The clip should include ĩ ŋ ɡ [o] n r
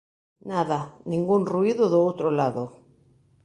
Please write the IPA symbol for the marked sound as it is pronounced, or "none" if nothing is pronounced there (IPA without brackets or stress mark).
u